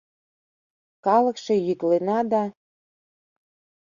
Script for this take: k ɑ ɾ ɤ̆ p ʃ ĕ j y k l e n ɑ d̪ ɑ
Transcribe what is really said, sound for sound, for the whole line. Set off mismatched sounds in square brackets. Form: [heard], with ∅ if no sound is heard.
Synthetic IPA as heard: k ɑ [l] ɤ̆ [k] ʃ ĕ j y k l e n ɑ d̪ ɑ